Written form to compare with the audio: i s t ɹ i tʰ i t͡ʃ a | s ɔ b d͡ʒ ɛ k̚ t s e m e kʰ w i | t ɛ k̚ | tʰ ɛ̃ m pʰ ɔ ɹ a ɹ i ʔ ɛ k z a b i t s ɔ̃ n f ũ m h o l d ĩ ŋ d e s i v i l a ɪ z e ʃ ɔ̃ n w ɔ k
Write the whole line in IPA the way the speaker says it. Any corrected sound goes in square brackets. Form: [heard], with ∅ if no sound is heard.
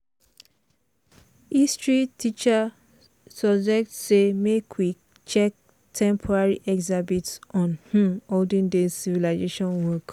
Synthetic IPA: i s t ɹ i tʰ i t͡ʃ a | s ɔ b d͡ʒ ɛ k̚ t s e m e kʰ w i | [t͡ʃ] ɛ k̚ | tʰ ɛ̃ m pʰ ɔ ɹ a ɹ i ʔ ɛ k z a b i t s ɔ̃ n [h] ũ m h o l d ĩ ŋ d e s i v i l a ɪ z e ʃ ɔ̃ n w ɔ k